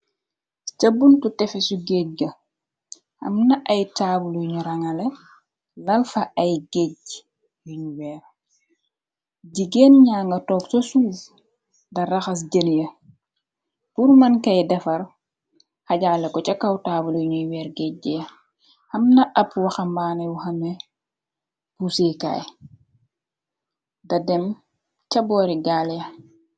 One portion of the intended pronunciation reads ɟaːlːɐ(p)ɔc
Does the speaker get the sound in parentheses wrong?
yes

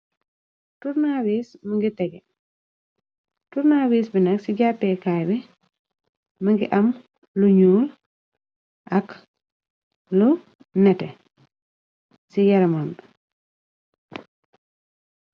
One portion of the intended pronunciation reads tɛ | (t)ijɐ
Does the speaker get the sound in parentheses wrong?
yes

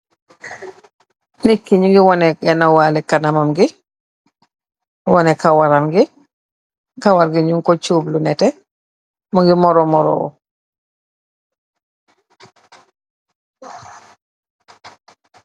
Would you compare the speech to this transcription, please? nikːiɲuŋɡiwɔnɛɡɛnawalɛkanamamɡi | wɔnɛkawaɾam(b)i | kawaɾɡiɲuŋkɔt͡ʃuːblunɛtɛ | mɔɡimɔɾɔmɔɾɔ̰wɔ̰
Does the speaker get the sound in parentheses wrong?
yes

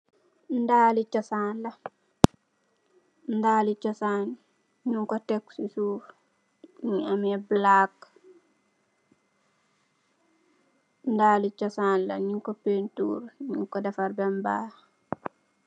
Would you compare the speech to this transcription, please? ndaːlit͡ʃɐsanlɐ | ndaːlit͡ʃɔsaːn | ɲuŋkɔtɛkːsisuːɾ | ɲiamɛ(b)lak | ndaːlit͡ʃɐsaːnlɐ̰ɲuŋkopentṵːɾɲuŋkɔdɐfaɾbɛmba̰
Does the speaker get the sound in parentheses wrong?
no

